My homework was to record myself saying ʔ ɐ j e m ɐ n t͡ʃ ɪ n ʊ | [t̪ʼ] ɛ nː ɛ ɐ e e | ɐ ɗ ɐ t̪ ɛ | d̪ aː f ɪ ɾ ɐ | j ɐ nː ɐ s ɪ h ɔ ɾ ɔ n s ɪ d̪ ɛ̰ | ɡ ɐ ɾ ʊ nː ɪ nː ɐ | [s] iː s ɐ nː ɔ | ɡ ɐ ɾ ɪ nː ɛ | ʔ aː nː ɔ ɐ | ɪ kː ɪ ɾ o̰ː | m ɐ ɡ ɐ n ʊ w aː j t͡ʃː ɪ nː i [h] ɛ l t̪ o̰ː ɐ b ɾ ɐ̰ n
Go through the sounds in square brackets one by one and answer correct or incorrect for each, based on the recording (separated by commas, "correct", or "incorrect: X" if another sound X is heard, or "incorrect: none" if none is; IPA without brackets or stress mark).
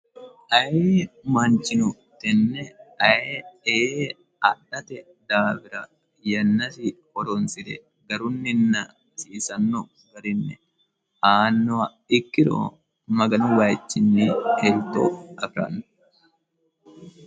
incorrect: t̪, correct, correct